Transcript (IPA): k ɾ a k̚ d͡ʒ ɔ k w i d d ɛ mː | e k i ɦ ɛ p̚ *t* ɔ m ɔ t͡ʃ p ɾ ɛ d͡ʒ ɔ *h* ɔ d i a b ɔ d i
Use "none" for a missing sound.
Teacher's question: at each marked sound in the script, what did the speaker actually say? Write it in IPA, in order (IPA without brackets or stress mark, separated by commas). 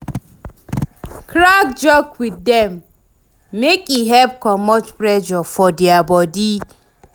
k, f